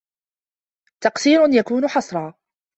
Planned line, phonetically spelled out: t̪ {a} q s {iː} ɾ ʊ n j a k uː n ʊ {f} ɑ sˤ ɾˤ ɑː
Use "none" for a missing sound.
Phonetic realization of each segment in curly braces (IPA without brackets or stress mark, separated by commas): ɑ, iː, ħ